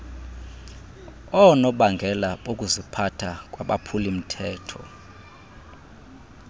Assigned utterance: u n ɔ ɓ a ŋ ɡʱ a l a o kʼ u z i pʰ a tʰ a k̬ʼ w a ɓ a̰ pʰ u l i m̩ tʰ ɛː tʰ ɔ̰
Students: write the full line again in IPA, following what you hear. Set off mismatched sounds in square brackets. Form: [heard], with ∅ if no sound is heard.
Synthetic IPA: [ɔ] n ɔ ɓ a ŋ ɡʱ [ɛ] l a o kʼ u z i pʰ a tʰ a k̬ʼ w a ɓ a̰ pʰ u l i m̩ tʰ ɛː tʰ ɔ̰

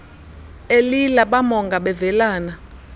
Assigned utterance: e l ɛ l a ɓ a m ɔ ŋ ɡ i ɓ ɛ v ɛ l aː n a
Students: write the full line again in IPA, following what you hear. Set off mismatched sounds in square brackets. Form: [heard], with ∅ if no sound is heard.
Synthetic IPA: e l [i] l a ɓ a m ɔ ŋ ɡ [a] ɓ ɛ v ɛ l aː n a

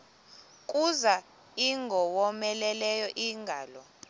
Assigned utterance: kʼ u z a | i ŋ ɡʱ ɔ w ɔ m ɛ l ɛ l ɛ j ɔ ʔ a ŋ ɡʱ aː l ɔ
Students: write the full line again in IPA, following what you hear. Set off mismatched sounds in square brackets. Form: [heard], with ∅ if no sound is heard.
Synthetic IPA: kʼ u z a | i ŋ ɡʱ ɔ w ɔ m ɛ l ɛ l ɛ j ɔ ʔ [i] ŋ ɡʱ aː l ɔ

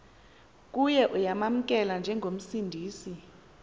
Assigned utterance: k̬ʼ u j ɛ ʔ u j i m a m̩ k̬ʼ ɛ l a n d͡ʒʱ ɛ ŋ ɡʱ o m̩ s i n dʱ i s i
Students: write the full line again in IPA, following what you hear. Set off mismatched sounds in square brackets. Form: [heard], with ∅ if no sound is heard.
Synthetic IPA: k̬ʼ u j ɛ ʔ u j [a] m a m̩ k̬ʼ ɛ l a n d͡ʒʱ ɛ ŋ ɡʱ o m̩ s i n dʱ [iː] s i

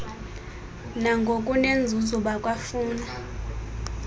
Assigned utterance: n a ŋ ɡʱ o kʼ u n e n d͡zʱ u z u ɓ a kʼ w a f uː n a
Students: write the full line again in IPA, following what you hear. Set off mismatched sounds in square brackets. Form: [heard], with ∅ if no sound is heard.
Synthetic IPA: n a ŋ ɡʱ o kʼ u n e n d͡zʱ u z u ɓ a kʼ w a f uː n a

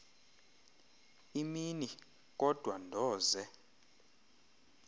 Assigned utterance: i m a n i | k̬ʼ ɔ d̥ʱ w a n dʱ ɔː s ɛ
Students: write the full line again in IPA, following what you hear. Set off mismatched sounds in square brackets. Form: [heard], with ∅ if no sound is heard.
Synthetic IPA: i m [i] n i | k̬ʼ ɔ d̥ʱ w a n dʱ ɔː [z] ɛ

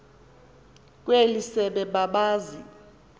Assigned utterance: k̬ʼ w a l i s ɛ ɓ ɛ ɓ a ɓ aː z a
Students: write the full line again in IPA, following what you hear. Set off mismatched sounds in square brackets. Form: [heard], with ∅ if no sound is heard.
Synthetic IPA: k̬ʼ w [e] l i s ɛ ɓ ɛ ɓ a ɓ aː z [i]

